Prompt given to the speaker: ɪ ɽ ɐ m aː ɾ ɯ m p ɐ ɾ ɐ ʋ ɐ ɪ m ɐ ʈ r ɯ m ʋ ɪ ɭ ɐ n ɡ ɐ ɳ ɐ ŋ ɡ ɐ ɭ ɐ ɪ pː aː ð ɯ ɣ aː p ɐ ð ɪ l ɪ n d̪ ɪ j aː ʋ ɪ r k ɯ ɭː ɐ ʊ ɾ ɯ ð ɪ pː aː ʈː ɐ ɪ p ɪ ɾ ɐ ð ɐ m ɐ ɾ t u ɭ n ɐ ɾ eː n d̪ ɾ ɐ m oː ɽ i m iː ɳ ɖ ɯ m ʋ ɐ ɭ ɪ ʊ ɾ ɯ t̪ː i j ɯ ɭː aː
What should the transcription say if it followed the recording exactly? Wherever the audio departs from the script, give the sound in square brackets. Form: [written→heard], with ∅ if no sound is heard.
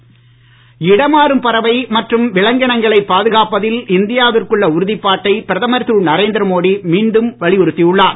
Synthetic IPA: ɪ ɽ ɐ m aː ɾ ɯ m p ɐ ɾ ɐ ʋ ɐ ɪ m ɐ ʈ r ɯ m ʋ ɪ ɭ ɐ [n→ŋ] ɡ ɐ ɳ ɐ ŋ ɡ ɐ ɭ ɐ ɪ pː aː ð ɯ ɣ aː p ɐ ð ɪ l ɪ n d̪ ɪ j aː ʋ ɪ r k ɯ ɭː ɐ ʊ ɾ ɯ ð ɪ pː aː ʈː ɐ ɪ p ɪ ɾ ɐ ð ɐ m ɐ ɾ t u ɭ n ɐ ɾ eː n d̪ ɾ ɐ m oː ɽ i m iː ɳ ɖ ɯ m ʋ ɐ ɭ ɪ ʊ ɾ ɯ t̪ː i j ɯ ɭː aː